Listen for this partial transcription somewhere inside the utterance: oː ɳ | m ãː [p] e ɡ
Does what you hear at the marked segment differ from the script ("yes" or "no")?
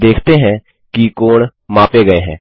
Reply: no